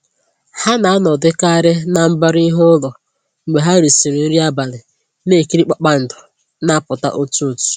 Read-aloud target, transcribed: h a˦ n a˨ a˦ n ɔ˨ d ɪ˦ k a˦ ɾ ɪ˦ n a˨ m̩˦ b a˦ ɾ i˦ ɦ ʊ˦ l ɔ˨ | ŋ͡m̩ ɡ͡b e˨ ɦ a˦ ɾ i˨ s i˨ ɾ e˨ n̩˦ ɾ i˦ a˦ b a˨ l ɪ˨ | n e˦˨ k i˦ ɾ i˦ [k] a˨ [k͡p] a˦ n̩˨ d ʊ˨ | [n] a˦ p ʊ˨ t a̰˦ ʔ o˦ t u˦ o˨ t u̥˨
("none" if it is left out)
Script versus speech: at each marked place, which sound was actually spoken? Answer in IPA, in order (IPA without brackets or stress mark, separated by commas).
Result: k͡p, k͡p, n